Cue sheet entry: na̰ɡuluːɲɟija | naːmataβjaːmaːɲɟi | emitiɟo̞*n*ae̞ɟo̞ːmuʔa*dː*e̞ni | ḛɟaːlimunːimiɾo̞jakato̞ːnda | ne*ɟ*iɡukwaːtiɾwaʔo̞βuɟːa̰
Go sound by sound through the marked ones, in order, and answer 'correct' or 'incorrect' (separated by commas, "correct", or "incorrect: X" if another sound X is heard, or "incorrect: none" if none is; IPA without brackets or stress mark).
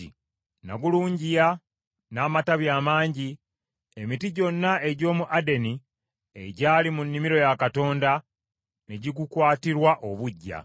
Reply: incorrect: nː, incorrect: d, correct